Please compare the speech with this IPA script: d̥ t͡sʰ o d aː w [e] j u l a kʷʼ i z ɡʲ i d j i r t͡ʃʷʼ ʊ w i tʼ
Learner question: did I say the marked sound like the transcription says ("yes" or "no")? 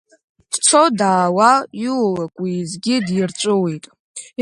no